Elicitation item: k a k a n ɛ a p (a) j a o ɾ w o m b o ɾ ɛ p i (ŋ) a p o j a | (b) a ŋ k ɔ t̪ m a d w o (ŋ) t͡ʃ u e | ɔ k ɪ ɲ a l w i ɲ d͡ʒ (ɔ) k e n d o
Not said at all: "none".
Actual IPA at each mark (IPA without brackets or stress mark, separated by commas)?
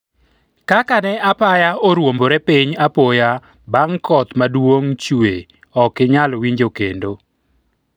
a, ɲ, b, ŋ, o